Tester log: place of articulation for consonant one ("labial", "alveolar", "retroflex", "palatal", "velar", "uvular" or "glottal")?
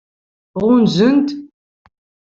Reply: uvular